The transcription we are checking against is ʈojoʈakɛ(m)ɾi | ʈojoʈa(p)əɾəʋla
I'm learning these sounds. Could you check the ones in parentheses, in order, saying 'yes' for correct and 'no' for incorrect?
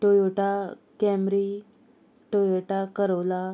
yes, no

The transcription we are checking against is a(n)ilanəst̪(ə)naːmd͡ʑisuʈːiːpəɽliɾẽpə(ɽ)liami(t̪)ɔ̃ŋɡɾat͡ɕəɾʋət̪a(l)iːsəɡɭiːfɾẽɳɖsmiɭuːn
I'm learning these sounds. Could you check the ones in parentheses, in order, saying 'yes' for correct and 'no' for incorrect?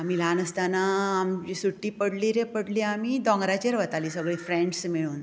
no, no, yes, no, yes

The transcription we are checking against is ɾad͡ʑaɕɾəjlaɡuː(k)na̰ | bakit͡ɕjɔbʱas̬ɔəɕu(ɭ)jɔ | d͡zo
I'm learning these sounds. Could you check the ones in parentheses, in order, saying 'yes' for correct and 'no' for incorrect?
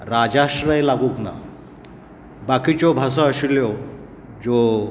yes, no

